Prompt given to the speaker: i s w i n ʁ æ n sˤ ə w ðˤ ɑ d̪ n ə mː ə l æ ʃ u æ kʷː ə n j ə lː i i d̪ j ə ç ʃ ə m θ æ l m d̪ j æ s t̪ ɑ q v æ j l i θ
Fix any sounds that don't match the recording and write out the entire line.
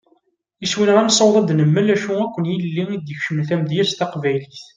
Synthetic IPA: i s w i n ʁ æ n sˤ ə w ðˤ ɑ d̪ n ə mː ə l æ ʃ u æ kʷː ə n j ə lː i i d̪ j ə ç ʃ ə m θ æ m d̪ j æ s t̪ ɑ q v æ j l i θ